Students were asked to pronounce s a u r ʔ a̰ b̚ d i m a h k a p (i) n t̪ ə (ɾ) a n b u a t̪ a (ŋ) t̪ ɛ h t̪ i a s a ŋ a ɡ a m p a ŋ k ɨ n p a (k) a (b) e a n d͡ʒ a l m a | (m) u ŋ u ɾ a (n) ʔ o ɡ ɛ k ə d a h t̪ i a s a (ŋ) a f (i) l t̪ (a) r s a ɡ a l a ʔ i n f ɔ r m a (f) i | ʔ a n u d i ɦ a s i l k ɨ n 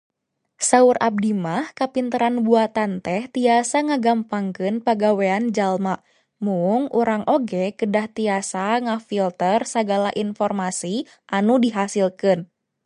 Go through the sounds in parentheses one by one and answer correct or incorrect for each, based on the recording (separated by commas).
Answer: correct, correct, incorrect, incorrect, incorrect, correct, incorrect, correct, correct, incorrect, incorrect